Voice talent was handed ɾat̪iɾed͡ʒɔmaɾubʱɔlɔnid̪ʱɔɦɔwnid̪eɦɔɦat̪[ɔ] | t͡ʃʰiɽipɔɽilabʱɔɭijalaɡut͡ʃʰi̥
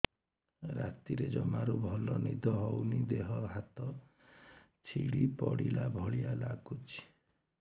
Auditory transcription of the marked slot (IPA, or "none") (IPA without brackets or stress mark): ɔ